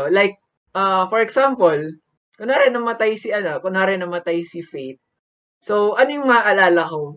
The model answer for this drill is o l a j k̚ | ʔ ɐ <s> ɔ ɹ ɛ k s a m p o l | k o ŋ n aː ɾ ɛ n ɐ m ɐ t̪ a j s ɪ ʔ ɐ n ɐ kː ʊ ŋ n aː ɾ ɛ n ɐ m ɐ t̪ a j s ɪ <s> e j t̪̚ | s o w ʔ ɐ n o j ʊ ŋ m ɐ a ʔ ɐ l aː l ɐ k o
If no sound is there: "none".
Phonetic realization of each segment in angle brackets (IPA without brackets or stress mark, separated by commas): f, f